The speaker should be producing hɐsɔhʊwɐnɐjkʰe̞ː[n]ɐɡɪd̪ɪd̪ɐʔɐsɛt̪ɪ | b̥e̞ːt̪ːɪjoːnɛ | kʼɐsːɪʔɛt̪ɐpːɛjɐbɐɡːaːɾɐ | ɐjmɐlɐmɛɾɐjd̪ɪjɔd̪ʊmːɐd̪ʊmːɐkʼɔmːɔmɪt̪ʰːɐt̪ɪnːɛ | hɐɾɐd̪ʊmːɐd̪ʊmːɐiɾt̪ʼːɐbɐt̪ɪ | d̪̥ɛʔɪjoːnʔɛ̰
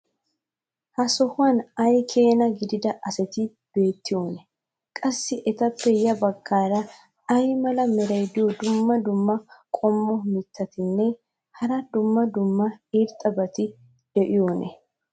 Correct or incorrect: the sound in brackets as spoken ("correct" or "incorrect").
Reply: correct